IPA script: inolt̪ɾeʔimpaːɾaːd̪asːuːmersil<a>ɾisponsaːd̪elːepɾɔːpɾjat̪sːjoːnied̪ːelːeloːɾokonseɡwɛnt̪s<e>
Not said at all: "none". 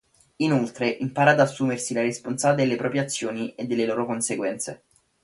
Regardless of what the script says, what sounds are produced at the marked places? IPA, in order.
a, e

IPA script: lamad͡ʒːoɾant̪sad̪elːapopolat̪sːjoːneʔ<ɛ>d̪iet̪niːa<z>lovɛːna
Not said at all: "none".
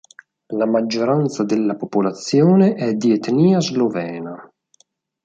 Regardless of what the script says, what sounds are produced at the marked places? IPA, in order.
ɛ, z

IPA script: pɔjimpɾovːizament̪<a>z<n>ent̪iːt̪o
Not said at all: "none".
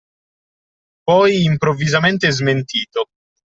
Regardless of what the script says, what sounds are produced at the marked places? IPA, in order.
e, m

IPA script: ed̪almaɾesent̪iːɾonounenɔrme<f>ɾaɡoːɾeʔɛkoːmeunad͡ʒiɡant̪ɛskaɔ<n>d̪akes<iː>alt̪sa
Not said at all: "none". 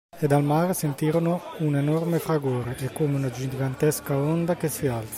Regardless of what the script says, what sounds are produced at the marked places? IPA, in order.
f, n, i

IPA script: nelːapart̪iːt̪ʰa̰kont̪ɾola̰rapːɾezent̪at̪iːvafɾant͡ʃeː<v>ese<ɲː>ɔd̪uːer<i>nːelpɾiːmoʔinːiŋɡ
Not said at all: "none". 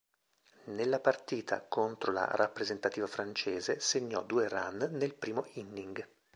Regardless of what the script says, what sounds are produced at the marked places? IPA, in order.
z, ɲː, a

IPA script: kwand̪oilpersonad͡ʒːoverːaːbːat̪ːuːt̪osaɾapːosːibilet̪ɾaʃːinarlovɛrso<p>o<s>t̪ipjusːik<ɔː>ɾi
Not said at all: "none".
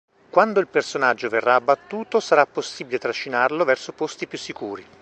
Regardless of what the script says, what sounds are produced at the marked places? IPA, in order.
p, s, uː

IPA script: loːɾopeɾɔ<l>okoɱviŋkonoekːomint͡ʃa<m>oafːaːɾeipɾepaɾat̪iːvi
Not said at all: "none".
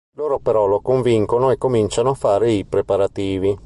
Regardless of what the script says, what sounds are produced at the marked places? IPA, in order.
l, n

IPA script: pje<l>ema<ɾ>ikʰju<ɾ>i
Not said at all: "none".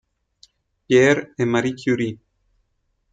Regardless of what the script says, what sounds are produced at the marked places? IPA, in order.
ɾ, ɾ, ɾ

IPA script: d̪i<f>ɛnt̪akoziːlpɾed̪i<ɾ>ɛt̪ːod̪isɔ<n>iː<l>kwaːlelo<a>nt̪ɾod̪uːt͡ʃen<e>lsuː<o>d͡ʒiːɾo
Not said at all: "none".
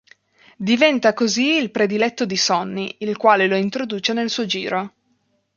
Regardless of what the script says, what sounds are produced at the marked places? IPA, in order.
v, l, nː, l, i, e, o

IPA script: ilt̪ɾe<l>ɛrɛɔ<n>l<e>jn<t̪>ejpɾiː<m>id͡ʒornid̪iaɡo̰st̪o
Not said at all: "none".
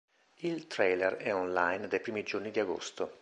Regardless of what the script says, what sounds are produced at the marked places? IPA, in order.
l, n, a, d̪, m

